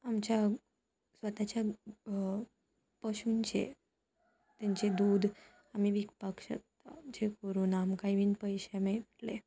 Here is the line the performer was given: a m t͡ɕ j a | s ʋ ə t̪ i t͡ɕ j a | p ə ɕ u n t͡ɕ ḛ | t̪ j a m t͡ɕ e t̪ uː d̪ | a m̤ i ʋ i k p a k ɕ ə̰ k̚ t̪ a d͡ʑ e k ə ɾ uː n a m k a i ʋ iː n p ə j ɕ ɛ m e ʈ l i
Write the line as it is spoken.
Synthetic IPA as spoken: a m t͡ɕ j a | s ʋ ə t̪ a t͡ɕ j a | p ə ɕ u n t͡ɕ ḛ | t̪ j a ɲ t͡ɕ e d̪ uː d̪ | a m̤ i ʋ i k p a k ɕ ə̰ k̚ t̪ a d͡ʑ e k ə ɾ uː n a m k a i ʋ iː n p ə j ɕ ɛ m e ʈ l e